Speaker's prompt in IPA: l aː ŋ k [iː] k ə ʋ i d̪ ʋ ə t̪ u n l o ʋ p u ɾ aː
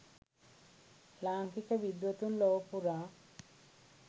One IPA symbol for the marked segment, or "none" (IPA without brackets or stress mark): i